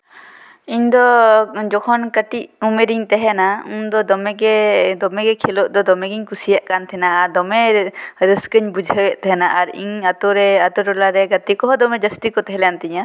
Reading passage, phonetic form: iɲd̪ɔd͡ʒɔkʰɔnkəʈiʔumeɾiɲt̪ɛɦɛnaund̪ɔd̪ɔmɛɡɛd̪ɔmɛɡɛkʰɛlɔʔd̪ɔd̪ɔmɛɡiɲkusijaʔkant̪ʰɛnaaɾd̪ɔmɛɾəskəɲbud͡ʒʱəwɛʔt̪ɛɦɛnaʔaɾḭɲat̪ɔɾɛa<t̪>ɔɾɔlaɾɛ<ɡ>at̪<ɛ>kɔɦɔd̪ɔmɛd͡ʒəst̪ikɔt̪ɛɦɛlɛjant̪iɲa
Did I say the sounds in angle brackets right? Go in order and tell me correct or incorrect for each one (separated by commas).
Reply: correct, correct, incorrect